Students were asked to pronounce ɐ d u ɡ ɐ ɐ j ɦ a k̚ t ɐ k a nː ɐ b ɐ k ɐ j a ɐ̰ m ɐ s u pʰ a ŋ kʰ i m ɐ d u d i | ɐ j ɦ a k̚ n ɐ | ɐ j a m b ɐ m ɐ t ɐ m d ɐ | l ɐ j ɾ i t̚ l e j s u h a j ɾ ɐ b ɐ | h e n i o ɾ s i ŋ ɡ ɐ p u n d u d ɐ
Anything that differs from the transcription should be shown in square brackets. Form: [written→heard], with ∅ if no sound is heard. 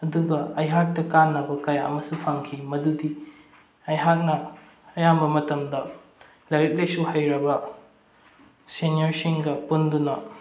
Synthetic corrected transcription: ɐ d u ɡ ɐ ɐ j ɦ a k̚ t ɐ k a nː ɐ b ɐ k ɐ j a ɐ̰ m ɐ s u pʰ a ŋ kʰ i m ɐ d u d i | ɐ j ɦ a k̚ n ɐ | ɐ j a m b ɐ m ɐ t ɐ m d ɐ | l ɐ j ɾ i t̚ l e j s u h a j ɾ ɐ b ɐ | [h→s] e n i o ɾ s i ŋ ɡ ɐ p u n d u [d→n] ɐ